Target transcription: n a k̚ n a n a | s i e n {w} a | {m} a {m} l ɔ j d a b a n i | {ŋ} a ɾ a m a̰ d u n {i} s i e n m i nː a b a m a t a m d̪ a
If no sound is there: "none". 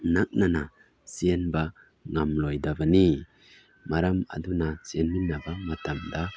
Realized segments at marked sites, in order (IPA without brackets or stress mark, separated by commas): b, ŋ, m, m, a